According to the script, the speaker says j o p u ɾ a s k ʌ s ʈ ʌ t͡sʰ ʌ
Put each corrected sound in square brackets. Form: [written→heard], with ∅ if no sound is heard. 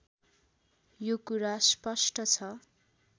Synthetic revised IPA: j o [p→k] u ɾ a s [k→p] ʌ s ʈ ʌ t͡sʰ ʌ